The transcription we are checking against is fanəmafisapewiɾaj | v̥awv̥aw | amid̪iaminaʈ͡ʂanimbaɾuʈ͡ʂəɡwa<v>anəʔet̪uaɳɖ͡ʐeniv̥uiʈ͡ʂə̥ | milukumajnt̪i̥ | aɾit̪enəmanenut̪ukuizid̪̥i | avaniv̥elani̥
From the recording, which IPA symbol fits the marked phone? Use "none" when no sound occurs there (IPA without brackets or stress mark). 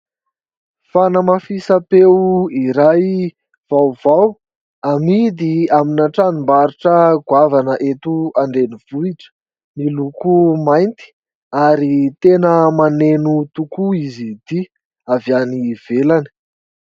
v